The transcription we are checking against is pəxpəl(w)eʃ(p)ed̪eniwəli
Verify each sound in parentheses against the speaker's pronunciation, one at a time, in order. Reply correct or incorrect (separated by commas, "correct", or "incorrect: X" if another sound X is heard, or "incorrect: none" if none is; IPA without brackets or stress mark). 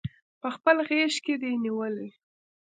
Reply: incorrect: ɣ, incorrect: k